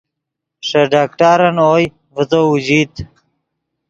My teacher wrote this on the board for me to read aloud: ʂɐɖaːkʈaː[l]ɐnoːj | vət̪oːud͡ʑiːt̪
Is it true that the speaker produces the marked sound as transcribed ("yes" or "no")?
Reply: no